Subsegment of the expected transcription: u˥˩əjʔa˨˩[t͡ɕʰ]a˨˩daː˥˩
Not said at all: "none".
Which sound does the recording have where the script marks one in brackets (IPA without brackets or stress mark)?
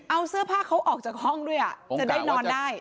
t͡ɕ